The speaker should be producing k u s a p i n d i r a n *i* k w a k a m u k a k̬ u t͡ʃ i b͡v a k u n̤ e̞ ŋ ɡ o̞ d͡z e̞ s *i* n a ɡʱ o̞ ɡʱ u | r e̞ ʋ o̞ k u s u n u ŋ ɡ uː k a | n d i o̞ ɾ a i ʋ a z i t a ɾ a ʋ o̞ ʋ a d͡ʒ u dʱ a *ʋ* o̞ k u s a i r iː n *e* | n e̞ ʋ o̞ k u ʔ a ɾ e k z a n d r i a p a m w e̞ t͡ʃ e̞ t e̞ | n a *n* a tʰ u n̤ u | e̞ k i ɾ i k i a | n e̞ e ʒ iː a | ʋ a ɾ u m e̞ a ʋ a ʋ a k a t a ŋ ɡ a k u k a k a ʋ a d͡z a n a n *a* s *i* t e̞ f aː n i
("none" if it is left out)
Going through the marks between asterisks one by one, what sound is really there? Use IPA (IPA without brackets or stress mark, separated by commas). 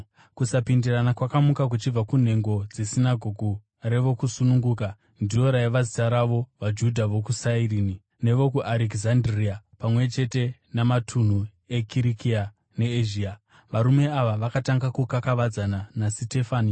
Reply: a, i, ʋ, i, m, a, i